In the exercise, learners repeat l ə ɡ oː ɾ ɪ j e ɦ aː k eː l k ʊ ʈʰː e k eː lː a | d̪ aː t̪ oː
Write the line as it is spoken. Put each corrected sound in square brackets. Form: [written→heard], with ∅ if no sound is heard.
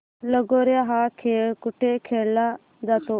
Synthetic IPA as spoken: l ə ɡ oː ɾ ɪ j [e→a] ɦ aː [k→kʰ] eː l k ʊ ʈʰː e [k→kʰ] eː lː a | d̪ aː t̪ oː